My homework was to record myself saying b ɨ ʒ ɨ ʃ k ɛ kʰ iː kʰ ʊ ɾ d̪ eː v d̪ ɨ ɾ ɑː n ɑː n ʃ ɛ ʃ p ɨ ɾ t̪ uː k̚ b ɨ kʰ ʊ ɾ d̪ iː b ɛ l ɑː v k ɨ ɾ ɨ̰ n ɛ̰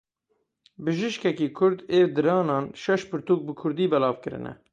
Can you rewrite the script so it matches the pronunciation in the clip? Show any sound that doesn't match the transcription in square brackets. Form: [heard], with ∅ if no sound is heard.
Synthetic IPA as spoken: b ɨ ʒ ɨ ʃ k ɛ [k] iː kʰ ʊ ɾ d̪ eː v d̪ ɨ ɾ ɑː n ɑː n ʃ ɛ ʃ p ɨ ɾ t̪ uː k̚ b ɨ kʰ ʊ ɾ d̪ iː b ɛ l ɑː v k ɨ ɾ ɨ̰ n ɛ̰